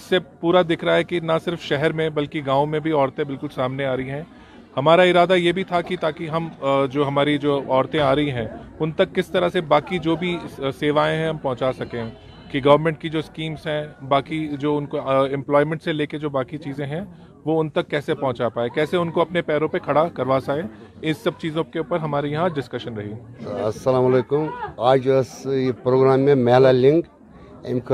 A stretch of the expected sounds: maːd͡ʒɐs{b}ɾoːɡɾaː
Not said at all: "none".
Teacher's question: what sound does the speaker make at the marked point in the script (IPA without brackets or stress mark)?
p